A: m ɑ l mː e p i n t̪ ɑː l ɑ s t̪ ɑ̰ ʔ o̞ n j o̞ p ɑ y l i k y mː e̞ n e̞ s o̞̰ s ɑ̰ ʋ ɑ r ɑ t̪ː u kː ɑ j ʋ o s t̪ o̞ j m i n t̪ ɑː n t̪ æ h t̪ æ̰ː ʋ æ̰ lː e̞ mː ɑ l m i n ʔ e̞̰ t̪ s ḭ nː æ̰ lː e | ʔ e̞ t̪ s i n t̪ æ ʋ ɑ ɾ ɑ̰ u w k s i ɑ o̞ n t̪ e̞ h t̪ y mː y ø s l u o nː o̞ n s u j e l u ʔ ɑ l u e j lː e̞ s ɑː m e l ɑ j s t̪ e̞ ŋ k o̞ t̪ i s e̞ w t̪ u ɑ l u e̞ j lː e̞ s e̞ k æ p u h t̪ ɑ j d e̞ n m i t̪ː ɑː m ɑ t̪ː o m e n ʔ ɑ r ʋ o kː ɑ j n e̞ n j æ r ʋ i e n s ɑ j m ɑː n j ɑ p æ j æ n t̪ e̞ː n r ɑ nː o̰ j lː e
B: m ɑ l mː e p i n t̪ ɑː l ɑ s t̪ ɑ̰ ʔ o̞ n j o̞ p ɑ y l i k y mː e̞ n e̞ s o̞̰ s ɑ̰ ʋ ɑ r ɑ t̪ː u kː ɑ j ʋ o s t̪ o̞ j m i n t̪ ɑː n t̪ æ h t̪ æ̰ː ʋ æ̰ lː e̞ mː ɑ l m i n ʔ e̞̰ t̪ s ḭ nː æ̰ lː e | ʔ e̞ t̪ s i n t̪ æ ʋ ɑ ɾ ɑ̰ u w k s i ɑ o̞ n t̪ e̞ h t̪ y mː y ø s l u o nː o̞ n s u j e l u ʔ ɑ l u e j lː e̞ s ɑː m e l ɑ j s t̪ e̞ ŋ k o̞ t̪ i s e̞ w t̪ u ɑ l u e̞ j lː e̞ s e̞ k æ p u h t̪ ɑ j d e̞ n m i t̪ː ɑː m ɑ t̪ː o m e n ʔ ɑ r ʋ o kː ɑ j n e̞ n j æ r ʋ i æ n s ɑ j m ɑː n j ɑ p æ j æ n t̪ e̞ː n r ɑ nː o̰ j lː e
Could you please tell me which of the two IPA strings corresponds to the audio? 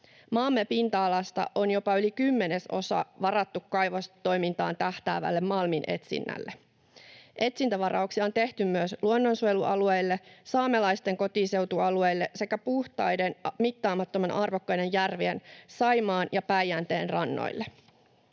A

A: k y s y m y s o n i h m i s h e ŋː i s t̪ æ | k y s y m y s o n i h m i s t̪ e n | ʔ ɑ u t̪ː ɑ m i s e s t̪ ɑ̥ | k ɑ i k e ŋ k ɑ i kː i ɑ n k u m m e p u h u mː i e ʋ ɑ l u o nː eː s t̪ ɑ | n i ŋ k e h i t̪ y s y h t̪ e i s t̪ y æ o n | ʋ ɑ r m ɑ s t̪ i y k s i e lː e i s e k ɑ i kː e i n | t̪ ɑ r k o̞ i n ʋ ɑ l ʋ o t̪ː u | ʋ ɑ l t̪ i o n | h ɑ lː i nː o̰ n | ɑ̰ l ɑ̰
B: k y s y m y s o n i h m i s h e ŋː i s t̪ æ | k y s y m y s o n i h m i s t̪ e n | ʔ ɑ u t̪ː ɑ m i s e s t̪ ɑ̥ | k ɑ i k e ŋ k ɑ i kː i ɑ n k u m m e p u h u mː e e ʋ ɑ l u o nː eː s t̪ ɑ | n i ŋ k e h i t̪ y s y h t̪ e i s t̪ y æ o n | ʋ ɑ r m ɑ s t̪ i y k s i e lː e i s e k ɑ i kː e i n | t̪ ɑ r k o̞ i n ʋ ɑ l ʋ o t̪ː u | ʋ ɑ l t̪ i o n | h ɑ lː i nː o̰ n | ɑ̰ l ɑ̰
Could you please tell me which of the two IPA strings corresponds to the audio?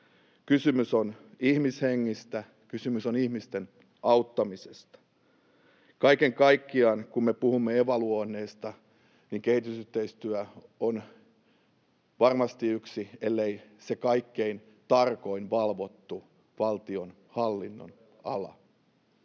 B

